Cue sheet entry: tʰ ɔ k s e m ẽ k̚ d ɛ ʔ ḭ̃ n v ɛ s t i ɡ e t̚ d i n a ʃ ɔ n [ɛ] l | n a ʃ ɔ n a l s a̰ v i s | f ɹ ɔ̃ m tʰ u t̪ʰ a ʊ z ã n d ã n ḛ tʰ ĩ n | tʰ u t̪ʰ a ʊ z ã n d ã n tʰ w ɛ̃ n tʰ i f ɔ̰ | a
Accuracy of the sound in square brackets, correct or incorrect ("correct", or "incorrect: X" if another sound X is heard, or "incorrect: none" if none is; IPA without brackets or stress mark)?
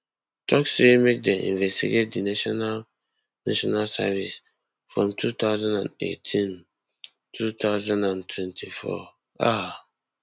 incorrect: a